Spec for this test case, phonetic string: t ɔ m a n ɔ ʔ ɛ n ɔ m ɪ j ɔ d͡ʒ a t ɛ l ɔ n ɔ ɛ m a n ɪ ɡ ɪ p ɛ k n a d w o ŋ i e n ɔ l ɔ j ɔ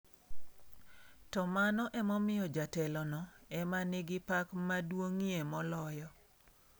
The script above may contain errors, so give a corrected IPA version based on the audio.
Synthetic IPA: t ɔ m a n ɔ ʔ ɛ m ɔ m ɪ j ɔ d͡ʒ a t ɛ l ɔ n ɔ ɛ m a n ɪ ɡ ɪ p a k m a d w o ŋ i e m ɔ l ɔ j ɔ

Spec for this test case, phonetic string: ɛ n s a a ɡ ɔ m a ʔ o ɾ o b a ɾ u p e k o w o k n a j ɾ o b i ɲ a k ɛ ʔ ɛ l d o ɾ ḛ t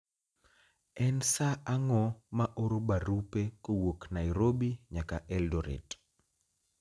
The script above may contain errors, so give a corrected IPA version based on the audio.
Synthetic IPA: ɛ n s a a ŋ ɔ m a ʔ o ɾ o b a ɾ u p e k o w o k n a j ɾ o b i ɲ a k a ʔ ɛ l d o ɾ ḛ t

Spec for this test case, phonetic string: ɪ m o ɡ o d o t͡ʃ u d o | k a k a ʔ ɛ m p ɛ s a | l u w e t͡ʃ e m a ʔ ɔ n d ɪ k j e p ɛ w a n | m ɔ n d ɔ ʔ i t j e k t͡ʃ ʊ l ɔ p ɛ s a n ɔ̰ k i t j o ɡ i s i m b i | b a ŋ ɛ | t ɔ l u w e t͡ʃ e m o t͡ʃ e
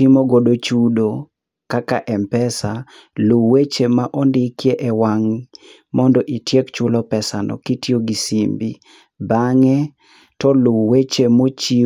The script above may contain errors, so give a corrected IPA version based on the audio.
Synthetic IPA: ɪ m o ɡ o d o t͡ʃ u d o | k a k a ʔ ɛ m p ɛ s a | l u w e t͡ʃ e m a ʔ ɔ n d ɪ k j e ʔ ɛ w a ŋ | m ɔ n d ɔ ʔ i t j e k t͡ʃ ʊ l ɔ p ɛ s a n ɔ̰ k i t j o ɡ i s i m b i | b a ŋ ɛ | t ɔ l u w e t͡ʃ e m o t͡ʃ i

